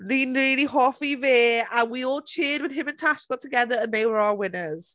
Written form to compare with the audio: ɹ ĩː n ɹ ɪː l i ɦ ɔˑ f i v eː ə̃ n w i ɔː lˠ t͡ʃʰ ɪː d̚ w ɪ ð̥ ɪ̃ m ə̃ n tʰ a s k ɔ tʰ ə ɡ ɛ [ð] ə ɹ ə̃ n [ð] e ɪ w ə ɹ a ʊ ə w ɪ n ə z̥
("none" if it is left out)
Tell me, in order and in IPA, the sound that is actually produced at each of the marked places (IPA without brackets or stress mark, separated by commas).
ð, ð